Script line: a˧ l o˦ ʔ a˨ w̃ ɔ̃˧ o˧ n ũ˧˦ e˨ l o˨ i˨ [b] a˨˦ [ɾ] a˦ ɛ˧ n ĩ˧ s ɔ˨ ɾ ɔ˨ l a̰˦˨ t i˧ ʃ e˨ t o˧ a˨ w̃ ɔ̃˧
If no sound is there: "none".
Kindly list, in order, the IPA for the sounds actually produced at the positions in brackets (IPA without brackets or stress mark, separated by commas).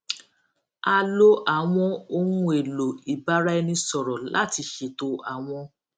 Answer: b, ɾ